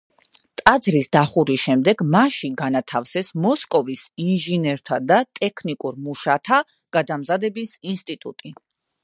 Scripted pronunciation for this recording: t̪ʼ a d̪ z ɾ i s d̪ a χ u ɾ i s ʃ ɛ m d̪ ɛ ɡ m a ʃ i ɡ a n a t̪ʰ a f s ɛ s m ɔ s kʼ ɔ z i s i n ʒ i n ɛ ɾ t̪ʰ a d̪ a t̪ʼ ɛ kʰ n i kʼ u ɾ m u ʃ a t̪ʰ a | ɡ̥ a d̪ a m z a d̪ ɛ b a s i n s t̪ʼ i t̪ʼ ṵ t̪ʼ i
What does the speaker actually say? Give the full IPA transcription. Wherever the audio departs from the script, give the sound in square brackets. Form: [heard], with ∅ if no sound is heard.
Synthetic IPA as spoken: t̪ʼ a d̪ z ɾ i s d̪ a χ u ɾ i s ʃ ɛ m d̪ ɛ ɡ m a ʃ i ɡ a n a t̪ʰ a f s ɛ s m ɔ s kʼ ɔ [v] i s i n ʒ i n ɛ ɾ t̪ʰ a d̪ a t̪ʼ ɛ kʰ n i kʼ u ɾ m u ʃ a t̪ʰ a | ɡ̥ a d̪ a m z a d̪ ɛ b [i] s i n s t̪ʼ i t̪ʼ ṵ t̪ʼ i